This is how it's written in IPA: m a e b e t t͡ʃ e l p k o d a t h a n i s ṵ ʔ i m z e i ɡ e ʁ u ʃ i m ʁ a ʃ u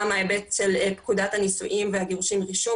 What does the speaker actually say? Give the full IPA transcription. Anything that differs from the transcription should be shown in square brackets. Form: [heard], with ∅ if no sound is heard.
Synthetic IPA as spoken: m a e b e t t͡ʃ e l p k [u] d a t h a n i s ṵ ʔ i m [v] e [a] ɡ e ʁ u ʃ i m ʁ [i] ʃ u